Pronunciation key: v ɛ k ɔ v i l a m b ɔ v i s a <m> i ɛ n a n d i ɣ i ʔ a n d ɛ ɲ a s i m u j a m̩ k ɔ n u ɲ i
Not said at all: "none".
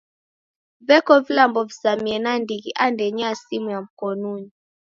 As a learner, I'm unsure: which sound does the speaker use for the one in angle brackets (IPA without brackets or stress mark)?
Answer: m